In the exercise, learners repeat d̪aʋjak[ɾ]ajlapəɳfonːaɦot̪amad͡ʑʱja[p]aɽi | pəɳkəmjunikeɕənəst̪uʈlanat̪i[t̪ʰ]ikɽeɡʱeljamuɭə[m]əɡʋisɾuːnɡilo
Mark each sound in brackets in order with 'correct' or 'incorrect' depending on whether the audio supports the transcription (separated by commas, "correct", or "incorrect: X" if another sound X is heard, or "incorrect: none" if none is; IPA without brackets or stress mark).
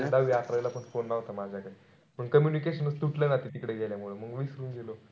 correct, incorrect: k, incorrect: t̪, correct